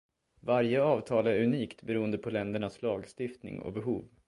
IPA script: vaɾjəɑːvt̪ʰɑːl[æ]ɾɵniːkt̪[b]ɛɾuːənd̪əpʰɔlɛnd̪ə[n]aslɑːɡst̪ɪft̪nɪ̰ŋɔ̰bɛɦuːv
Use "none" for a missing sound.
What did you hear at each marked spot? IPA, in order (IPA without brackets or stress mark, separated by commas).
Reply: æ, b, ɳ